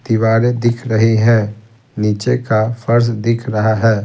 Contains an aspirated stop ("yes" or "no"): yes